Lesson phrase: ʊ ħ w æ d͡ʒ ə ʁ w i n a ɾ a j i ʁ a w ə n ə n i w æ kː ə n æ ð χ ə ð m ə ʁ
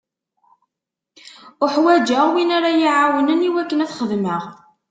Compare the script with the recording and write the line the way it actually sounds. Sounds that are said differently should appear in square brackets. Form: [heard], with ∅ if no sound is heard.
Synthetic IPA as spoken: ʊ ħ w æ d͡ʒ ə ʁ w i n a ɾ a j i [ʕ] a w ə n ə n i w æ kː ə n æ [θ] χ ə ð m ə ʁ